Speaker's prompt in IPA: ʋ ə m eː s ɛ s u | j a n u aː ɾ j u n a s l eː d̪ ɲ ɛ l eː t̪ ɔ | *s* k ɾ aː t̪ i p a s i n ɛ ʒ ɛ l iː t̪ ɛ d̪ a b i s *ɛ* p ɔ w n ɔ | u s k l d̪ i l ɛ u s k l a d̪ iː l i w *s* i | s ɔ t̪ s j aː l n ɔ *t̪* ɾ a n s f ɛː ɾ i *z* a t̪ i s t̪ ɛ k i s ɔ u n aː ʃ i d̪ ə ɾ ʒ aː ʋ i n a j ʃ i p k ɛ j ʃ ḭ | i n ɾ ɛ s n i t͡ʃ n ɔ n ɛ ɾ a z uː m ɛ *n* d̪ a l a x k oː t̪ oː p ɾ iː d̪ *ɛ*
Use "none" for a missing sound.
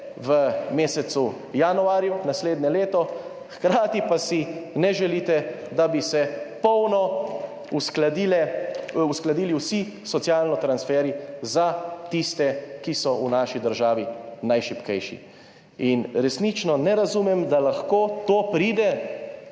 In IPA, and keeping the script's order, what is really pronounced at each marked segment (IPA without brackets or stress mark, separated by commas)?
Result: x, ɛ, s, t̪, z, m, ɛ